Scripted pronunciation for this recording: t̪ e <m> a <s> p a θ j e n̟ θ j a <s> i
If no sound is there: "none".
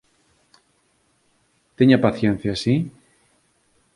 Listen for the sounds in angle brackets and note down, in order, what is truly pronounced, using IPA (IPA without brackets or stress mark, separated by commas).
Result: ɲ, none, s